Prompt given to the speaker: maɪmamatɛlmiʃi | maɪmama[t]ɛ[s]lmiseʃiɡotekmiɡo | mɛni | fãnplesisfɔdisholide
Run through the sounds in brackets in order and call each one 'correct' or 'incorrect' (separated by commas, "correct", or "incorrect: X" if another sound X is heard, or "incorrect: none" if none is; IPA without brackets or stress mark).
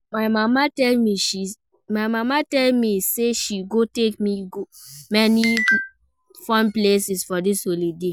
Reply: correct, incorrect: none